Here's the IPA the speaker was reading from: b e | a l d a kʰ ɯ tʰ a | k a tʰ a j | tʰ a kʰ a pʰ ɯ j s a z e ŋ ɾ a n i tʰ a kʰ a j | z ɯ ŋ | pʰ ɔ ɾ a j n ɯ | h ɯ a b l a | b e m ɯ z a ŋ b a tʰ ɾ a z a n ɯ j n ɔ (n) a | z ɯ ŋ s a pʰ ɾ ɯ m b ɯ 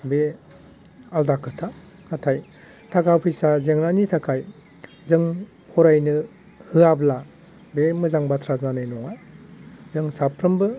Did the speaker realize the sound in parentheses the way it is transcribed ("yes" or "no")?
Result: no